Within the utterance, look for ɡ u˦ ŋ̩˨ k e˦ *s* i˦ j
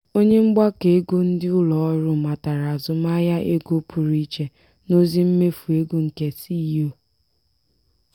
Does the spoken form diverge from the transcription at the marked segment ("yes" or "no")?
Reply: no